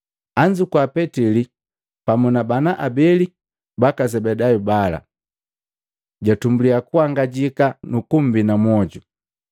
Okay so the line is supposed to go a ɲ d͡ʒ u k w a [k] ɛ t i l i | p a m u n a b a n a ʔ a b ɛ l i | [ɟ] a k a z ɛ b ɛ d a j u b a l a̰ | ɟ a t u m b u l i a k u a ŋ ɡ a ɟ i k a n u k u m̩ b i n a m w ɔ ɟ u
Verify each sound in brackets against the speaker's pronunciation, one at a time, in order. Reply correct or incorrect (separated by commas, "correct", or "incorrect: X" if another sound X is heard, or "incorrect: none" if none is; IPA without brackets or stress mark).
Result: incorrect: p, incorrect: b